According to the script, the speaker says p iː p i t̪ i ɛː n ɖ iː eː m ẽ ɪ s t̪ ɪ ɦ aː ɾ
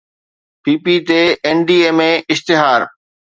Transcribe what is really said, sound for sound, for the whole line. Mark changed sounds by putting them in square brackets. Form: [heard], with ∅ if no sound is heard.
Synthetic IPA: p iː p i t̪ [e] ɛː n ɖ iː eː m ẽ ɪ s t̪ ɪ ɦ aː ɾ